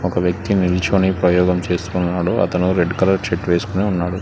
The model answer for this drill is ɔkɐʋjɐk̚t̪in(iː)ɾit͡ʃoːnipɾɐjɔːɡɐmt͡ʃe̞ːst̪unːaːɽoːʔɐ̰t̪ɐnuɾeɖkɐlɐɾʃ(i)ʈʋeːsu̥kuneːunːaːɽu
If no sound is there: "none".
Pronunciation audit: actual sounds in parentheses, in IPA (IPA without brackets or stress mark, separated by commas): i, e